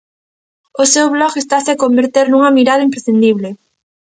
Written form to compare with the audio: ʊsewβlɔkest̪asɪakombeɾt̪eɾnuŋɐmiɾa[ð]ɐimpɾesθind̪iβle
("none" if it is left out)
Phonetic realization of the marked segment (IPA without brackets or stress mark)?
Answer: ð